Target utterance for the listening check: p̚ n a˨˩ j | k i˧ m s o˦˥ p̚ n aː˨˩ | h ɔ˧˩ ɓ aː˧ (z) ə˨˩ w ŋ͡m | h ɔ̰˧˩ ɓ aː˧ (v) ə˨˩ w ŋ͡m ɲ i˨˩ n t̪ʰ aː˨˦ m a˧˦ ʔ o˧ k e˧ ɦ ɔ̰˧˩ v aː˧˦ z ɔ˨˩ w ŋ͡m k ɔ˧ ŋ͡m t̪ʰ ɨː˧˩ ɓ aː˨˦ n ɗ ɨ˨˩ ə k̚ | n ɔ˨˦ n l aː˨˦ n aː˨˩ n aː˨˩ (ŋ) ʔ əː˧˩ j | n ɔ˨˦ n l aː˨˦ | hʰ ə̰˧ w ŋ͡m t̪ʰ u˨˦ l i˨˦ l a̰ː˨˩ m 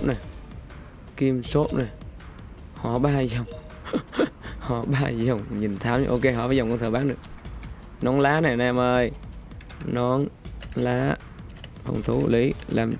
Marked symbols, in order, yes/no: yes, no, no

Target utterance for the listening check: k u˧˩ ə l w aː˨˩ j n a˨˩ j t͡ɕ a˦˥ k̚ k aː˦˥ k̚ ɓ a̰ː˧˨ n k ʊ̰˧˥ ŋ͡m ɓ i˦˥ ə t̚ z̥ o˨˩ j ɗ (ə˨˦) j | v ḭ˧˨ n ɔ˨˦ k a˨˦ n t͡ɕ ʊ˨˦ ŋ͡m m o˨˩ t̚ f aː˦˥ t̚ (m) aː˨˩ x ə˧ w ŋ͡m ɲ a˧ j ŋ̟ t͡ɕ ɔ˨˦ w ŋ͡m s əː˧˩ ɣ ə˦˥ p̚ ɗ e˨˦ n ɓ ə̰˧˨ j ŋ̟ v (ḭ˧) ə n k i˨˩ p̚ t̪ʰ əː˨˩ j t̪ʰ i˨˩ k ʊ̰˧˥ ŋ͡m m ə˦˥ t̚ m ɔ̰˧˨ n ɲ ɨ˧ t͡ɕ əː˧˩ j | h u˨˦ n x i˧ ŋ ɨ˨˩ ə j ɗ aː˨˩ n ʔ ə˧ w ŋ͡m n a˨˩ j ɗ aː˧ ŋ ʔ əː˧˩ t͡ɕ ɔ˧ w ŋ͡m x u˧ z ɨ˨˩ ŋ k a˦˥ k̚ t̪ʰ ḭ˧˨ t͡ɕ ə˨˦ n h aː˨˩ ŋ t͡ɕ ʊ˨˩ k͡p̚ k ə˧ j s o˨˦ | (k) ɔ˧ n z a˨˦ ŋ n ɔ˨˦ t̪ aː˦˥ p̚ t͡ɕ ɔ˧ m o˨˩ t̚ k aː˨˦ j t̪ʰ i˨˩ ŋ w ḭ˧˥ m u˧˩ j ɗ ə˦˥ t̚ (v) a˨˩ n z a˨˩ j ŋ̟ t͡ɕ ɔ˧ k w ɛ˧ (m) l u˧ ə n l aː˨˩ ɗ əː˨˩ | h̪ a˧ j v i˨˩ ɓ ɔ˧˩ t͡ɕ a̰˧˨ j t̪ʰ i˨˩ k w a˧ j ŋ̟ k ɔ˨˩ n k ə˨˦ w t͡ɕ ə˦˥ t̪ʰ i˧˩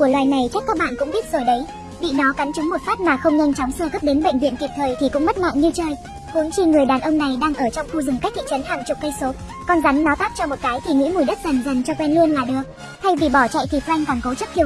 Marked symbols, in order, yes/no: yes, yes, yes, yes, no, no

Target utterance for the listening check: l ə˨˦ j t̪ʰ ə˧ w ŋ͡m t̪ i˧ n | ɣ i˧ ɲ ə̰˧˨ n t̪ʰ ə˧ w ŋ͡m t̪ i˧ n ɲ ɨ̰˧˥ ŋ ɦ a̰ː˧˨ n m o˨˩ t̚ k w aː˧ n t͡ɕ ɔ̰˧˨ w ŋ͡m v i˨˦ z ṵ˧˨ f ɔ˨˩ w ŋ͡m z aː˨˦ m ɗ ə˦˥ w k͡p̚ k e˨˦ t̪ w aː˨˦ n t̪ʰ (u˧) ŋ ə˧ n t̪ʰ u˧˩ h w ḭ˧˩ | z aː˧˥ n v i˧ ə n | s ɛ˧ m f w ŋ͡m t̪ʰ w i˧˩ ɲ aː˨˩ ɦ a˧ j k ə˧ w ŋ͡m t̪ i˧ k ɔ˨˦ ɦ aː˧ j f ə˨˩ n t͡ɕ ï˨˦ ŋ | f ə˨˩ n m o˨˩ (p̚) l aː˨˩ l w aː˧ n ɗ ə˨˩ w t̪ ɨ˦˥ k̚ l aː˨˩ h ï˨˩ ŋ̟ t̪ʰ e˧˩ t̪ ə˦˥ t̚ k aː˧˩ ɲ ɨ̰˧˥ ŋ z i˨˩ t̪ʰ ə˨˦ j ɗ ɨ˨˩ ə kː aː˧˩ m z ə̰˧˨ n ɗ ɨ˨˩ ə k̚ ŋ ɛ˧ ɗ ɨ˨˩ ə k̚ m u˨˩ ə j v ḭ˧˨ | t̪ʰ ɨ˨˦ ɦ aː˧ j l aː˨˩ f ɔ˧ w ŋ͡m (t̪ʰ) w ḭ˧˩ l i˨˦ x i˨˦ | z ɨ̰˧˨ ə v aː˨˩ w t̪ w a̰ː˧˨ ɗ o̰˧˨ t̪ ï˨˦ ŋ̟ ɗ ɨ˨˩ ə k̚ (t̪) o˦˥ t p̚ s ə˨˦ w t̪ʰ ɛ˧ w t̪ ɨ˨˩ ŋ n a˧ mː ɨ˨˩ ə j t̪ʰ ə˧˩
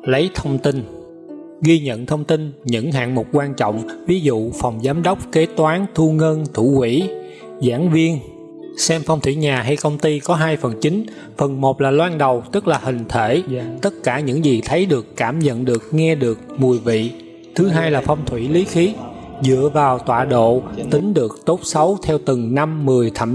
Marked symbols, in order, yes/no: yes, no, yes, yes

